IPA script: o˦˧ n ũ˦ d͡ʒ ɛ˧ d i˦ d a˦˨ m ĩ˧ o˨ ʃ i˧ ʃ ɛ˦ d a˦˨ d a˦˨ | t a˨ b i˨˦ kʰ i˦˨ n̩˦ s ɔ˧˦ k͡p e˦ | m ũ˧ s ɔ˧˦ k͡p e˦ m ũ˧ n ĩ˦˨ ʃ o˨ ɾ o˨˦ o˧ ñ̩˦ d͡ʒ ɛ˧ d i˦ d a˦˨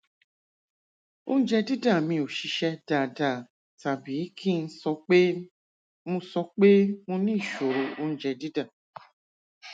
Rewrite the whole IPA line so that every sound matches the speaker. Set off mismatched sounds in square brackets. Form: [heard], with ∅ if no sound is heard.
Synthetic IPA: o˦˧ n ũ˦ d͡ʒ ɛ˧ d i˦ d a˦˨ m ĩ˧ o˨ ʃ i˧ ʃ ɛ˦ d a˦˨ d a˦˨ | t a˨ b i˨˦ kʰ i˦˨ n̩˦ s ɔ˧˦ k͡p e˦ | m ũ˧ s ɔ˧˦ k͡p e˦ m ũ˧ n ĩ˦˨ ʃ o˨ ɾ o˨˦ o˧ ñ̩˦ d͡ʒ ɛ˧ d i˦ d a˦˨